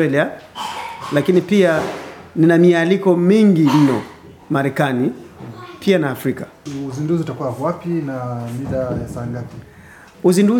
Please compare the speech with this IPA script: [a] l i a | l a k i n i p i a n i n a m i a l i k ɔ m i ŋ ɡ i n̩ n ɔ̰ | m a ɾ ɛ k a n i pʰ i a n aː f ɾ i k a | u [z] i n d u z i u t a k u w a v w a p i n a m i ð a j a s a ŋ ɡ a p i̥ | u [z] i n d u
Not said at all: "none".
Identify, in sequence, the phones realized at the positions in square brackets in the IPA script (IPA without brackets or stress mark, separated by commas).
ɛ, z, z